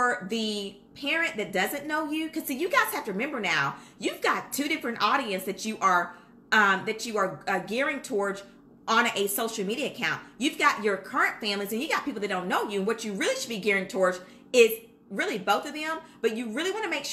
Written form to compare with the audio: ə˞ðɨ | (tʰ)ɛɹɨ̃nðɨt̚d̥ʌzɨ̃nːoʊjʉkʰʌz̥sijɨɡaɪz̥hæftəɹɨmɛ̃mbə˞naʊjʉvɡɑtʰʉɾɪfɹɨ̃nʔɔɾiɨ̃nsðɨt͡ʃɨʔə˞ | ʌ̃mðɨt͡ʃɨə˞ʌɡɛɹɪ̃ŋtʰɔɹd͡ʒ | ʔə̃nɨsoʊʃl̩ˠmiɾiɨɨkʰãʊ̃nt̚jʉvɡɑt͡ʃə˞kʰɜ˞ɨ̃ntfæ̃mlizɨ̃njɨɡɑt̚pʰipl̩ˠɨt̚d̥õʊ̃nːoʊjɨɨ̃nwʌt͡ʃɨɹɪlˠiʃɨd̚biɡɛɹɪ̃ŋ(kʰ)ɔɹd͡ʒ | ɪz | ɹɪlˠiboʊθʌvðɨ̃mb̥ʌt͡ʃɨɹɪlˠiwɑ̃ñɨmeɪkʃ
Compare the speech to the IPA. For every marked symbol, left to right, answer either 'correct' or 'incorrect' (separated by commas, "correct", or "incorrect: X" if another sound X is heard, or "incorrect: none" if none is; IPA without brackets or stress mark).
incorrect: pʰ, incorrect: tʰ